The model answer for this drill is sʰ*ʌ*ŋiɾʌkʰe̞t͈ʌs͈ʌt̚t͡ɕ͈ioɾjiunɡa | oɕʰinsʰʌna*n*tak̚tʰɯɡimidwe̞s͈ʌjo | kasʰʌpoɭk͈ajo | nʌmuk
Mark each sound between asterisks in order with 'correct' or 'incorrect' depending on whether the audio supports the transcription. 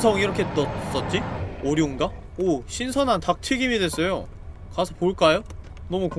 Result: correct, correct

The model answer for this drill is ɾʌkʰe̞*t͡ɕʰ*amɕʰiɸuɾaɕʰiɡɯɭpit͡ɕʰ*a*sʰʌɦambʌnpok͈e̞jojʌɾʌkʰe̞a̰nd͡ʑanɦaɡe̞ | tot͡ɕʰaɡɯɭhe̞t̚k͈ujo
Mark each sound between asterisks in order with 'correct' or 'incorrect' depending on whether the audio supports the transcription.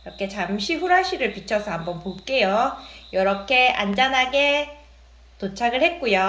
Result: incorrect: t͡ɕ, incorrect: ʌ

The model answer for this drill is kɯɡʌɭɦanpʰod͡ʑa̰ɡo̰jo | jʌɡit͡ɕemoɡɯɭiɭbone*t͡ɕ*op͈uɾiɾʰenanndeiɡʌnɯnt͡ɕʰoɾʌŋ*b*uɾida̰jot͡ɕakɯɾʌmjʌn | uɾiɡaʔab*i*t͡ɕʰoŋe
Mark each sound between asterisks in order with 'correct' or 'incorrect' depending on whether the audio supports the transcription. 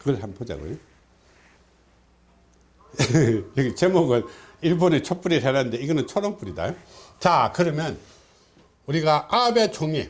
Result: incorrect: t͡ɕʰ, incorrect: p, incorrect: e

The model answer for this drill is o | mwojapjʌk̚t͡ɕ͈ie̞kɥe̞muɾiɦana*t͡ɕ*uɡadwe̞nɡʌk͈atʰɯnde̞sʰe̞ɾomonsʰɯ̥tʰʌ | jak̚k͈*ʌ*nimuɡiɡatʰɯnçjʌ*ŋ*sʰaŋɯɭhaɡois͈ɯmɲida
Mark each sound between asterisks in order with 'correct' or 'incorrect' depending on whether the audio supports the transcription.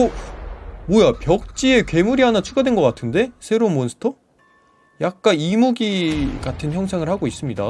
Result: incorrect: t͡ɕʰ, incorrect: a, correct

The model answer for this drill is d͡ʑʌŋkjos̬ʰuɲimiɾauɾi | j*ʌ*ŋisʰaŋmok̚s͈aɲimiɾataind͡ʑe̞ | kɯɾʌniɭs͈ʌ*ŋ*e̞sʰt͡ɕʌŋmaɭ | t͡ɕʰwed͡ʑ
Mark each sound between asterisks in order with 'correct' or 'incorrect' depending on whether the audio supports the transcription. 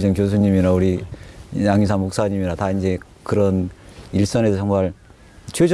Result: incorrect: a, incorrect: n

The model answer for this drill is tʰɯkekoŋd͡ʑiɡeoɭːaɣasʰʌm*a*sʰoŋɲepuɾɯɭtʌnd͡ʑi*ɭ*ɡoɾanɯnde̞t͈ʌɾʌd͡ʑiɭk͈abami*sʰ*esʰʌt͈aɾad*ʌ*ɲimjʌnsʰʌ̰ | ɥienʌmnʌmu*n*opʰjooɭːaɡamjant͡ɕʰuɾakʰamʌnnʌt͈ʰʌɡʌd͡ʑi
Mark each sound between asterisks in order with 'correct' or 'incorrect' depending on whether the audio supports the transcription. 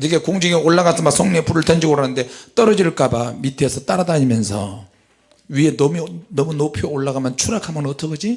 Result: correct, incorrect: none, incorrect: tʰ, incorrect: a, correct

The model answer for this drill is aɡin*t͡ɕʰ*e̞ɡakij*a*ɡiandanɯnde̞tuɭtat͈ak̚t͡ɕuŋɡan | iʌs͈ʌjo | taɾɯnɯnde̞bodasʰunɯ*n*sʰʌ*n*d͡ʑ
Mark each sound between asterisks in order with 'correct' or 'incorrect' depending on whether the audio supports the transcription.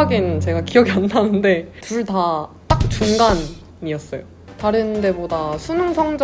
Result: incorrect: t͡ɕ, incorrect: ʌ, incorrect: ŋ, incorrect: ŋ

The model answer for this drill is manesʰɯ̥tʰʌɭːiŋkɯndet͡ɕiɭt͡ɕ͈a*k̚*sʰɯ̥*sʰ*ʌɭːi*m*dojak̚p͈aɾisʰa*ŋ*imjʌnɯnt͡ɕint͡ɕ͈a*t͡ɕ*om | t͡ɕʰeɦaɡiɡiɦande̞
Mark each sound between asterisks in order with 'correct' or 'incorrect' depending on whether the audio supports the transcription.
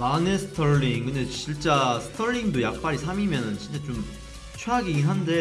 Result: incorrect: none, incorrect: tʰ, incorrect: ŋ, incorrect: m, correct

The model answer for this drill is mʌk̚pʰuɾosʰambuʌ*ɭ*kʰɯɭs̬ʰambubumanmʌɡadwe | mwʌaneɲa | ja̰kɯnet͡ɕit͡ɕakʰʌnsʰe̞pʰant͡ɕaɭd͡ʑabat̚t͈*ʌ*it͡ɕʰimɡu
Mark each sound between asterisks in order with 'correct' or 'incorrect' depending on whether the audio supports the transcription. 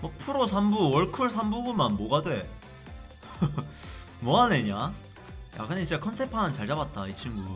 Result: correct, incorrect: a

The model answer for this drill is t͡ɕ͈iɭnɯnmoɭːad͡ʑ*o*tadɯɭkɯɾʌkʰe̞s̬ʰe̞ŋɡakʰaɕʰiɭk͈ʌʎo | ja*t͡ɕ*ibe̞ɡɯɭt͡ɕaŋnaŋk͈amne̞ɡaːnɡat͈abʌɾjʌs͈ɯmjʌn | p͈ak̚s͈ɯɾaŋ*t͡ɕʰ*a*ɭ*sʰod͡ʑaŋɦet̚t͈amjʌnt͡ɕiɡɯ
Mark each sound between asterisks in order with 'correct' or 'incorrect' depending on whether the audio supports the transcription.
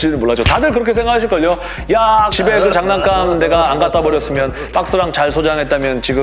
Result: correct, correct, incorrect: t͡ɕ, correct

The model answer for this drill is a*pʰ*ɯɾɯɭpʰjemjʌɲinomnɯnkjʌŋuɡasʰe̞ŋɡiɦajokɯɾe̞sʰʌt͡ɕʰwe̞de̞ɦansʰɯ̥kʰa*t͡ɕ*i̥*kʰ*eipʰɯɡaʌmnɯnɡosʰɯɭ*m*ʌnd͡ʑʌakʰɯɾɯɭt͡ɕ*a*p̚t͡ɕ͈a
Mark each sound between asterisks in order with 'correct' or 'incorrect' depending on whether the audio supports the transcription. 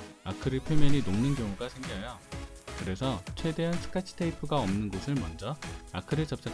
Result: incorrect: kʰ, incorrect: t͡ɕʰ, incorrect: tʰ, correct, incorrect: ʌ

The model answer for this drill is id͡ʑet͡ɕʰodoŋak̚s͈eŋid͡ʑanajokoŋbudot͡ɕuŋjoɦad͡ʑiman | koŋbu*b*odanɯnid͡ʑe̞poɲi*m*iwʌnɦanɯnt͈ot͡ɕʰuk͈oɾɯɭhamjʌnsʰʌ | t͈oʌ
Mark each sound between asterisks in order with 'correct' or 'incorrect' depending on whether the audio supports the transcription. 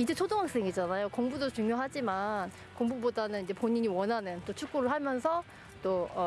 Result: correct, incorrect: ɲ

